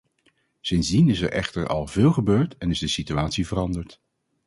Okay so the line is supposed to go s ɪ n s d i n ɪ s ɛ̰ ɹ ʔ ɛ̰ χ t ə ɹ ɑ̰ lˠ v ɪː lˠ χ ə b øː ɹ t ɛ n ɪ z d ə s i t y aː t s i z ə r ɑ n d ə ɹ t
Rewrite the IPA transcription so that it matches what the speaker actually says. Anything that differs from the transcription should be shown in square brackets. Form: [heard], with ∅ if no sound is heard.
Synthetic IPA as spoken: s ɪ n [z] d i n ɪ s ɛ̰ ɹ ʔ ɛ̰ χ t ə ɹ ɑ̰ lˠ v ɪː lˠ χ ə b øː ɹ t ɛ n ɪ z d ə s i t y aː t s i [v] ə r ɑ n d ə ɹ t